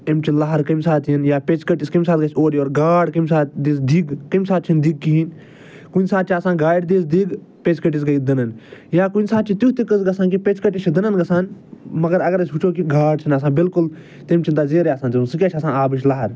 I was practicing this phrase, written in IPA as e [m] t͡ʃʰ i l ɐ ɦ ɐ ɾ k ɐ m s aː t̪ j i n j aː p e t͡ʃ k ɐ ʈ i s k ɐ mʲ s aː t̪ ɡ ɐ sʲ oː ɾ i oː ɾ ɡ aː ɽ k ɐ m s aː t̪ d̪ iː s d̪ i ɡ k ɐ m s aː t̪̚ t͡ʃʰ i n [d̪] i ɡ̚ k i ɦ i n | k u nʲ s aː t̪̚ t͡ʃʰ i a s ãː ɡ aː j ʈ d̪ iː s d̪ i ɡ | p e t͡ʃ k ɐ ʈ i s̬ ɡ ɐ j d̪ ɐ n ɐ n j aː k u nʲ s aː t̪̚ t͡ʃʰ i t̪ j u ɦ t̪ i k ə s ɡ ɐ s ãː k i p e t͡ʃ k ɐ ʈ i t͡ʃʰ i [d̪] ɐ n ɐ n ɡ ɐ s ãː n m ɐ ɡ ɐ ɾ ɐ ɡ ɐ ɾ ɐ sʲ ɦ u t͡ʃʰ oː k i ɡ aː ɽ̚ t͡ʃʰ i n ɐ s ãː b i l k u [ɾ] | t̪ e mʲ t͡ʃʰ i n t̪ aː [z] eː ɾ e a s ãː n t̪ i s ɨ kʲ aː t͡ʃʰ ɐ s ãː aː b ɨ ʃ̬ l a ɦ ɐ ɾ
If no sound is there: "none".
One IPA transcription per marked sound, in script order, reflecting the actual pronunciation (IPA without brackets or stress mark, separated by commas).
m, d̪, d̪, l, z